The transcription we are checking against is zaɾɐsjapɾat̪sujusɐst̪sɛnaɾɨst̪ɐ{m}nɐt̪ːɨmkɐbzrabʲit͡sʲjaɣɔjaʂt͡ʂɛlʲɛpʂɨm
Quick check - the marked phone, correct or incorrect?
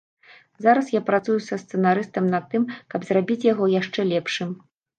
correct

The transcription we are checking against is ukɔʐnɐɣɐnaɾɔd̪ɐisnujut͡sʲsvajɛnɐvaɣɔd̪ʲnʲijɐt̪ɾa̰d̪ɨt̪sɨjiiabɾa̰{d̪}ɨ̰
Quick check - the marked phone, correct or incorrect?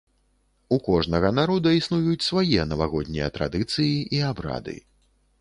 correct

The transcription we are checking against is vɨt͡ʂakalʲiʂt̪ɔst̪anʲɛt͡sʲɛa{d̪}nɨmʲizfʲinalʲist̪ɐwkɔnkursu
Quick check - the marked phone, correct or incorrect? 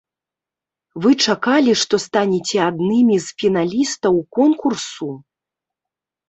correct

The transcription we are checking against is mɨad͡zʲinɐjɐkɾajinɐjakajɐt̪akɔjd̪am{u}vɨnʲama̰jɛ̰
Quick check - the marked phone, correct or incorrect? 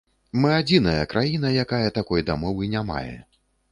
incorrect: ɔ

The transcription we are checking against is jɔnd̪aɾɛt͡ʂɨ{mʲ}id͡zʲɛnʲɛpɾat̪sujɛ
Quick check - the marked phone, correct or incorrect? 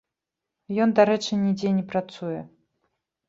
incorrect: nʲ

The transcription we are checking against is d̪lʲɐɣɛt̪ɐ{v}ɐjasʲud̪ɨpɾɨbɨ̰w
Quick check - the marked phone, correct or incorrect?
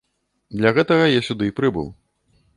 incorrect: ɣ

